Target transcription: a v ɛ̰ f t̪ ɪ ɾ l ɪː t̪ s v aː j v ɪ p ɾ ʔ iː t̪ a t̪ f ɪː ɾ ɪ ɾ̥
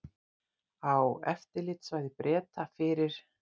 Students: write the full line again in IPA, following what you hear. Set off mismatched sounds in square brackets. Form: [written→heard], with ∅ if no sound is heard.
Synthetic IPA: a [v→w] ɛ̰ f t̪ ɪ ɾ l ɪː t̪ s v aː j [v→ð] ɪ p ɾ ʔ [iː→ɛː] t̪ a [t̪→∅] f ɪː ɾ ɪ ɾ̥